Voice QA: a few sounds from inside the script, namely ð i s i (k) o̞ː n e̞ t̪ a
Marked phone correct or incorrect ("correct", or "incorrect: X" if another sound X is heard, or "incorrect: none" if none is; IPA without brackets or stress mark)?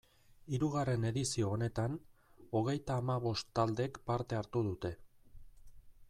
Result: incorrect: none